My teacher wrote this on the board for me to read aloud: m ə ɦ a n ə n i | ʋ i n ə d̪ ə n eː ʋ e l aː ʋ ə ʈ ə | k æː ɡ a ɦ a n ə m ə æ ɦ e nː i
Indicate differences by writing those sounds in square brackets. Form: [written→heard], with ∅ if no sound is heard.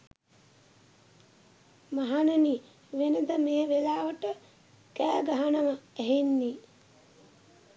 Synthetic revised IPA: m [ə→a] ɦ a n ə n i | ʋ [i→e] n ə d̪ ə [n→m] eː ʋ e l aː ʋ ə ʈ ə | k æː ɡ a ɦ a n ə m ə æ ɦ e nː i

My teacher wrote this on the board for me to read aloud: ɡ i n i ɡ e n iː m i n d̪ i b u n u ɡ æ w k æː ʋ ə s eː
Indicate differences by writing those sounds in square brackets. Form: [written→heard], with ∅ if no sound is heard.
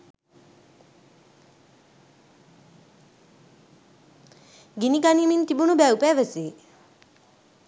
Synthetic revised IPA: ɡ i n i ɡ [e→a] n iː m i n [d̪→t̪] i b u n u [ɡ→b] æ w [k→p] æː ʋ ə s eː

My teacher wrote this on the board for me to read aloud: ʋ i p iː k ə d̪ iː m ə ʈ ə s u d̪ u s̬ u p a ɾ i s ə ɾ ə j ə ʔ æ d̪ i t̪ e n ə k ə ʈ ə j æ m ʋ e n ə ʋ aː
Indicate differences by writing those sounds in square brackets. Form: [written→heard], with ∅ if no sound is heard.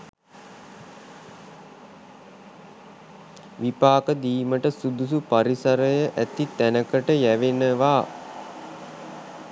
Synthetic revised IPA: ʋ i p [iː→aː] k ə d̪ iː m ə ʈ ə s u d̪ u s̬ u p a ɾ i s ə ɾ ə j ə ʔ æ [d̪→t̪] i t̪ [e→æ] n ə k ə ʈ ə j æ [m→∅] ʋ e n ə ʋ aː

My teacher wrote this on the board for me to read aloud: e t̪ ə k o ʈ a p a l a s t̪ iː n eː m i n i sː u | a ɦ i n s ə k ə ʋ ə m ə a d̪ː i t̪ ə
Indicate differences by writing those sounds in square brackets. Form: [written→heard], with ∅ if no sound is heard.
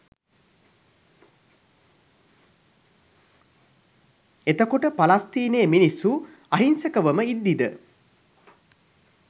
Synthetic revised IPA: e t̪ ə k o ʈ [a→ə] p a l a s t̪ iː n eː m i n i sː u | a ɦ i n s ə k ə ʋ ə m ə [a→i] d̪ː i [t̪→d̪] ə

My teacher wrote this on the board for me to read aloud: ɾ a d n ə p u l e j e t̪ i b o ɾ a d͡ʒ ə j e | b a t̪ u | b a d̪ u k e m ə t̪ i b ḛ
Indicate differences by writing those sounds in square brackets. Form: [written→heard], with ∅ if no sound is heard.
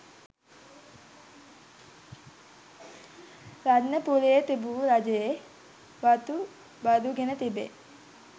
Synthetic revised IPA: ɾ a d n ə p u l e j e t̪ i b [o→u] ɾ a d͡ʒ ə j e | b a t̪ u | b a d̪ u [k→ɡ] e [m→n] ə t̪ i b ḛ

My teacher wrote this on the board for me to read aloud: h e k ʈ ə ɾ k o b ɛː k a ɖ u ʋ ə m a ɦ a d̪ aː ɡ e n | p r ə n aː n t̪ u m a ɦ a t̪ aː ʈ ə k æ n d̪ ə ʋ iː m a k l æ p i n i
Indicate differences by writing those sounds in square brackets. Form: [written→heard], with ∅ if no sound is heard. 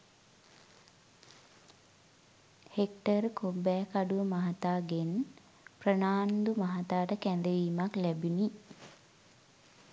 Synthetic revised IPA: h e k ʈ ə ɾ k o b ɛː k a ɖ u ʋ ə m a ɦ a [d̪→t̪] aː ɡ e n | p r ə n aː n [t̪→d̪] u m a ɦ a t̪ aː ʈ ə k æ n d̪ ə ʋ iː m a k l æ [p→b] i n i

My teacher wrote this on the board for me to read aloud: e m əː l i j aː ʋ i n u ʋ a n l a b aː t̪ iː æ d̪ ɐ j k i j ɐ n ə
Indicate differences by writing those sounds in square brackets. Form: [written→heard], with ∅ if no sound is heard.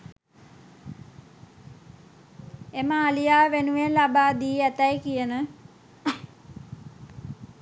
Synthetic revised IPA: e m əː l i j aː ʋ [i→e] n u ʋ [a→e] n l a b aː [t̪→d̪] iː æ [d̪→t̪] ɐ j k i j [ɐ→ə] n ə

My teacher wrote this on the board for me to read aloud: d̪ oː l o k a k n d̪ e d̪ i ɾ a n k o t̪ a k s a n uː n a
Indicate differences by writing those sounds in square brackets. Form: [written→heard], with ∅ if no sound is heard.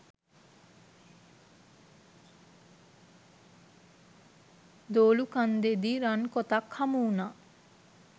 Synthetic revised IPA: d̪ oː l [o→u] k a [k→∅] n d̪ e d̪ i ɾ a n k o t̪ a k [s→h] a [n→m] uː n a

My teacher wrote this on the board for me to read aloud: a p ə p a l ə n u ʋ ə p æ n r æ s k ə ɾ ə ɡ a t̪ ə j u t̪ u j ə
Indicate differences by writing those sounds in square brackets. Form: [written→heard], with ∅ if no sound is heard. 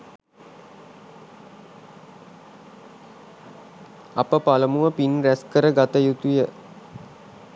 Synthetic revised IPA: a p ə p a l ə [n→m] u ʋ ə p [æ→i] n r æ s k ə ɾ ə ɡ a t̪ ə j u t̪ u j ə

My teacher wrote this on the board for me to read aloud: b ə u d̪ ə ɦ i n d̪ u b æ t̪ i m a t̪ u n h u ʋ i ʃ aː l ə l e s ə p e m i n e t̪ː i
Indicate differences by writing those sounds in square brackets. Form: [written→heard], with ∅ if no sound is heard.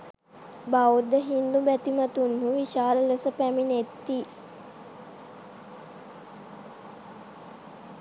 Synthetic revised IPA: b [ə→a] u d̪ ə ɦ i n d̪ u b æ t̪ i m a t̪ u n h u ʋ i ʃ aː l ə l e s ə p [e→æ] m i n e t̪ː i

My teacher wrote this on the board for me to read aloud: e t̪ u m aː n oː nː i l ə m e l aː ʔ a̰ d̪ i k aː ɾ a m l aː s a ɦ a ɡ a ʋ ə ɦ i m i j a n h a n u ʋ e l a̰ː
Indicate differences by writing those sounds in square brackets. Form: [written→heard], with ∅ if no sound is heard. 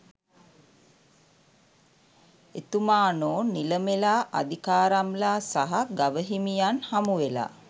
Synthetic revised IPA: e t̪ u m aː n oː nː i l ə m e l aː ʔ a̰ d̪ i k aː ɾ a m l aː s a ɦ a ɡ a ʋ ə ɦ i m i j a n h a [n→m] u ʋ e l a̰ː

